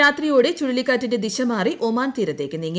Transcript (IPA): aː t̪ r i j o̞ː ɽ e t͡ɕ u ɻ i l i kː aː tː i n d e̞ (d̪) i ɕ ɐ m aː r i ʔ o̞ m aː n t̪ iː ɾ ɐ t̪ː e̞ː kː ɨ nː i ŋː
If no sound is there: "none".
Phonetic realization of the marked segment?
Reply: d̪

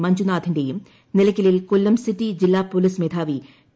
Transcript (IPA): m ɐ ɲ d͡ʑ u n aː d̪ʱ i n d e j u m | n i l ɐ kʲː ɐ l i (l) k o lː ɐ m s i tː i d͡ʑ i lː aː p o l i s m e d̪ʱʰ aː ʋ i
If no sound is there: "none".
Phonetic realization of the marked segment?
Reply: l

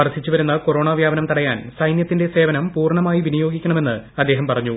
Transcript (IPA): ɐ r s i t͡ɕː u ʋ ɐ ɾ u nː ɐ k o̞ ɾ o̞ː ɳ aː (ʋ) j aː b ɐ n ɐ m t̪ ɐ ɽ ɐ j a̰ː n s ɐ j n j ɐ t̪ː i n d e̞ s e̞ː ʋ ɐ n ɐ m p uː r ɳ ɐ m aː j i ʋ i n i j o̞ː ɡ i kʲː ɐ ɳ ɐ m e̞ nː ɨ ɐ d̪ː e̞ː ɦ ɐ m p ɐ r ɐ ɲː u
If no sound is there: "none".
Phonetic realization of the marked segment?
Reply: ʋ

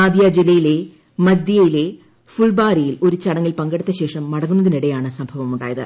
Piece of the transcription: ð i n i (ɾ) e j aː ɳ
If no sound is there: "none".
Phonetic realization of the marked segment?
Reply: ɽ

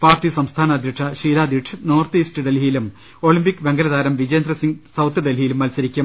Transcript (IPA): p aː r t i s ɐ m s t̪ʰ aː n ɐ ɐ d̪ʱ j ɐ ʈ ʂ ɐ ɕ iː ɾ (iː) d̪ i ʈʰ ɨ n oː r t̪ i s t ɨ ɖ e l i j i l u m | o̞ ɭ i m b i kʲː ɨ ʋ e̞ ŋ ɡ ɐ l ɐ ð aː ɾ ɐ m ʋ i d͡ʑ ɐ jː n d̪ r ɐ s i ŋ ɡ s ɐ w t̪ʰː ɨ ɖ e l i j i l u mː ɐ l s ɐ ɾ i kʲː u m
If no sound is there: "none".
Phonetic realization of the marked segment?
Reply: aː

